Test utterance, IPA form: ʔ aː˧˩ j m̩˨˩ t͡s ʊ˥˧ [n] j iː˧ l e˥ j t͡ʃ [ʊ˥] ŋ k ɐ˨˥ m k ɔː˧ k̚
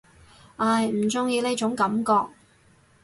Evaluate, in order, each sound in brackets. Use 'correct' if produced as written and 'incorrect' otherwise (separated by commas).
incorrect, incorrect